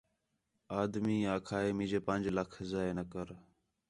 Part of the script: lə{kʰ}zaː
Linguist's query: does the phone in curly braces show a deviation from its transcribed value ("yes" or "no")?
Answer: no